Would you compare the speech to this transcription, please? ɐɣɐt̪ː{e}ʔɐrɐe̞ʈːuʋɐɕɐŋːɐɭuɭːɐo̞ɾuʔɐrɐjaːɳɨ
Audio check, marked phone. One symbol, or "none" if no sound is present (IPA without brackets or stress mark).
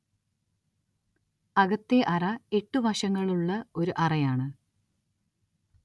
e